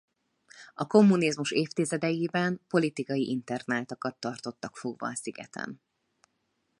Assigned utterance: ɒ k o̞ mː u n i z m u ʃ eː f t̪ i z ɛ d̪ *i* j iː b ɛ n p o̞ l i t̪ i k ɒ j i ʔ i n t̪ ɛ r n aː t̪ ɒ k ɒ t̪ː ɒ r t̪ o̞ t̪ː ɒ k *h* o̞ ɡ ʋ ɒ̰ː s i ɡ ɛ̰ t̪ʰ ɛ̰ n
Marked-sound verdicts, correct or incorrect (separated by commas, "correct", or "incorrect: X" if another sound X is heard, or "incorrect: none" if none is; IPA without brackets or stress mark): incorrect: ɛ, incorrect: f